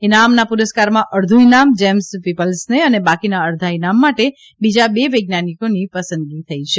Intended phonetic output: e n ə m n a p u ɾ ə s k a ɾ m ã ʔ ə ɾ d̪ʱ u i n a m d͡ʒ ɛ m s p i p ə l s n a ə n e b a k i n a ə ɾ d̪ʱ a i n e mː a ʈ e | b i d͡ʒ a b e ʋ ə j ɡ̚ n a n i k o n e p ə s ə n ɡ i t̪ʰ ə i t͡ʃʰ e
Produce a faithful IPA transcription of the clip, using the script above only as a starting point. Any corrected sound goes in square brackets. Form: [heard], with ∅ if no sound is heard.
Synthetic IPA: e n [a] m n a p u ɾ ə s k a ɾ m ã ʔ ə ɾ d̪ʱ u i n a m d͡ʒ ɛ m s p i p ə l s n [e] ə n e b a k i n a ə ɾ d̪ʱ a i n [a] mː a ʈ e | b i d͡ʒ a b e ʋ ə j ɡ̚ n a n i k o n [i] p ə s ə n ɡ i t̪ʰ ə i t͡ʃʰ e